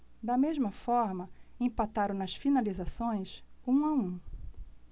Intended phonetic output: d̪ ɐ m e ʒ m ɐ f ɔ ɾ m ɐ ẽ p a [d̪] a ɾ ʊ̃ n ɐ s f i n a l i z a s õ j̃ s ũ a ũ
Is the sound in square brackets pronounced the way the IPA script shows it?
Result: no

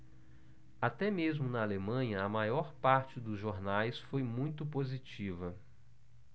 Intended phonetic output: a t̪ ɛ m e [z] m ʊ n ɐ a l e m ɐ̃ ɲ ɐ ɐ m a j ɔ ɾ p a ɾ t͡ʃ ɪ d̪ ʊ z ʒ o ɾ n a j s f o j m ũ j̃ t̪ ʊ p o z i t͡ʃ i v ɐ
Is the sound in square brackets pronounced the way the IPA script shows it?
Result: yes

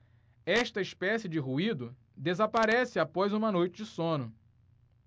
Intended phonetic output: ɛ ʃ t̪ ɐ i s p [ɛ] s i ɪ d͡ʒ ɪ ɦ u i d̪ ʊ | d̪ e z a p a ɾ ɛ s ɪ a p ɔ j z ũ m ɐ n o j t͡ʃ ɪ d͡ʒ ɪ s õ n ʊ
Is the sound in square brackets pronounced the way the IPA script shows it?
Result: yes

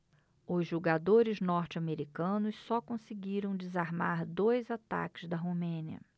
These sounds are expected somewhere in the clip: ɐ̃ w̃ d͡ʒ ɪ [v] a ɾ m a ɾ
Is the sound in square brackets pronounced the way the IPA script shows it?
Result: no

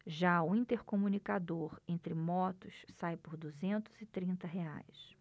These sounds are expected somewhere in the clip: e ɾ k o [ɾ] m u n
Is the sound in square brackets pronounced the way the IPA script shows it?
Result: no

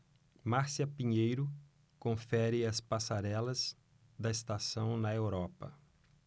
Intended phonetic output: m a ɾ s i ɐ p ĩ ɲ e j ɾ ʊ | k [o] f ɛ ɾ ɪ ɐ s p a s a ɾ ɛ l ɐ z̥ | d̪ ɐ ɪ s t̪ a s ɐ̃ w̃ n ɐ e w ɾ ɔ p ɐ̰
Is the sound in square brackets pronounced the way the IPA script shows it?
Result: no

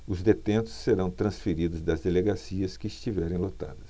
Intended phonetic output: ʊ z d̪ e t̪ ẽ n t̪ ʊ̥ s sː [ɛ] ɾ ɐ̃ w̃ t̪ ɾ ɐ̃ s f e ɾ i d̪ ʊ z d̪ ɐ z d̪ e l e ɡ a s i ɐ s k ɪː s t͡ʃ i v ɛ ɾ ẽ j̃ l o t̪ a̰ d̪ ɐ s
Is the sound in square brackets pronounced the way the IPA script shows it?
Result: no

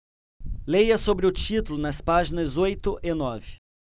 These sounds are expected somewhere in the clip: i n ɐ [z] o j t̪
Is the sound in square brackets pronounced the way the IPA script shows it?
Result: yes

